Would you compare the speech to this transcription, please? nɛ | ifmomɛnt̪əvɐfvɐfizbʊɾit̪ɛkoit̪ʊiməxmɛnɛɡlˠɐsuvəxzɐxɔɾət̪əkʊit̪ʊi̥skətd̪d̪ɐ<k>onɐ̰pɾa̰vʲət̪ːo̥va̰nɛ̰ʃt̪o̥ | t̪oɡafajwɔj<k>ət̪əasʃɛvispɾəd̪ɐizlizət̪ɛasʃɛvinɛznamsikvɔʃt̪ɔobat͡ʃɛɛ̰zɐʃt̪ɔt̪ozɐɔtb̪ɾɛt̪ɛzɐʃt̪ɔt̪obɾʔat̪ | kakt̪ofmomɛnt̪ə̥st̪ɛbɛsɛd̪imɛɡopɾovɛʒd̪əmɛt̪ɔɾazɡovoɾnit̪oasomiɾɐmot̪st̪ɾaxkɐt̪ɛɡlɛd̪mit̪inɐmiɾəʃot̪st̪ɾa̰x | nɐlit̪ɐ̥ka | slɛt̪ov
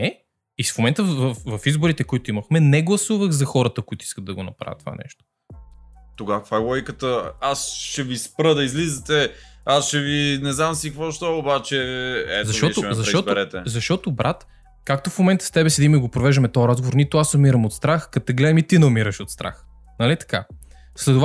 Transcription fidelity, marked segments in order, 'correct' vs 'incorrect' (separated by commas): incorrect, correct